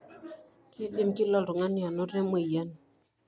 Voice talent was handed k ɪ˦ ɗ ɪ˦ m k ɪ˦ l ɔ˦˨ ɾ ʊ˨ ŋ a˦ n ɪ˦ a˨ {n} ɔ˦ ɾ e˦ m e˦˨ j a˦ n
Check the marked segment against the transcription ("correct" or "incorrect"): correct